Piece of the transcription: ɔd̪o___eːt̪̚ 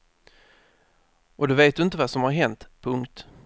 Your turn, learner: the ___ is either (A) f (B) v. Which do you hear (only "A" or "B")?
B